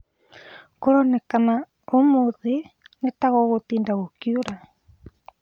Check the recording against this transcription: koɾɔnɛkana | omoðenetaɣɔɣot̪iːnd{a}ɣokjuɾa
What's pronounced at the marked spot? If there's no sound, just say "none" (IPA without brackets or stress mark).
a